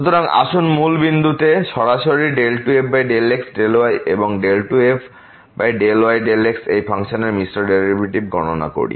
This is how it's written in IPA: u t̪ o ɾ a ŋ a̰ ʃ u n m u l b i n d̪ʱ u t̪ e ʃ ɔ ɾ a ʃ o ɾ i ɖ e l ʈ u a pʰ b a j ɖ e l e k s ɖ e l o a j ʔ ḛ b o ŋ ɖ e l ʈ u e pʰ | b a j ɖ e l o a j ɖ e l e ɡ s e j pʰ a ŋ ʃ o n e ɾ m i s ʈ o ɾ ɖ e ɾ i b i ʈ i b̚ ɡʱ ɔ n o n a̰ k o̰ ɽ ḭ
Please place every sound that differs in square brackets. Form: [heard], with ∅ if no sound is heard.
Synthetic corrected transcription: u t̪ o ɾ a ŋ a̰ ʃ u n m u l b i n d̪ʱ u t̪ e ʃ ɔ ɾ a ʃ o ɾ i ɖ e l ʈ u [e] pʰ b a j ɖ e l e k s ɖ e l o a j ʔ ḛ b o ŋ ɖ e l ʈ u e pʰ | b a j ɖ e l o a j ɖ e l e [k] s e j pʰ a ŋ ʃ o n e ɾ m i s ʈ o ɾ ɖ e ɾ i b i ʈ i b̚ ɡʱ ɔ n o n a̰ k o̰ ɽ ḭ